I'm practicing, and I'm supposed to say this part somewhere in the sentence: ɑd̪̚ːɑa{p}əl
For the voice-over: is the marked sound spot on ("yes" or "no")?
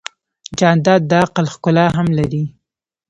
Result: no